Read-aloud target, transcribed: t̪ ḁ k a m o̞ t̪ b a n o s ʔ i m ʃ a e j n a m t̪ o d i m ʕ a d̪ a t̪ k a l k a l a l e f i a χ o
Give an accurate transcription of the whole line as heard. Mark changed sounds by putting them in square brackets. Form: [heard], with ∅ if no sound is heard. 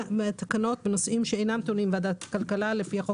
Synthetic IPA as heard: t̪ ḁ k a [n] o̞ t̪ b [e] n o s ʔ i m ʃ [e] e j n a m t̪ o [n] i m [v] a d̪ a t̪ k a l k a l a l e f i a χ o

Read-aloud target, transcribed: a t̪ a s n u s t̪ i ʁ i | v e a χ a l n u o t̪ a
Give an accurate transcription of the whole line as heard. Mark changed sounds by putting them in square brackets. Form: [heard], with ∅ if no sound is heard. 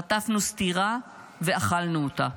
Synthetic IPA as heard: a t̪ a [f] n u s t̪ i ʁ [a] | v e a χ a l n u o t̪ a

